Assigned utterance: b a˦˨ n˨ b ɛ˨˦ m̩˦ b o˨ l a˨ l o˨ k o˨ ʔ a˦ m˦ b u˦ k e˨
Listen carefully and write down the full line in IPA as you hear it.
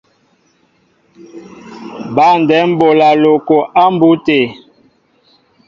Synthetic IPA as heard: b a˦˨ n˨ d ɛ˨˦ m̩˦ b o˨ l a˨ l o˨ k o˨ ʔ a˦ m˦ b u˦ t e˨